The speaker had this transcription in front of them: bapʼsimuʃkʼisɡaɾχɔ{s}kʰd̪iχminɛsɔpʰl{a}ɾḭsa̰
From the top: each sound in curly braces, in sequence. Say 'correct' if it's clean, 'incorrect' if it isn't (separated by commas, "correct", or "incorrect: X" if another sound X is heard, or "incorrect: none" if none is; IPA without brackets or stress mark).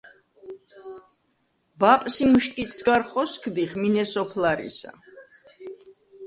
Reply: correct, correct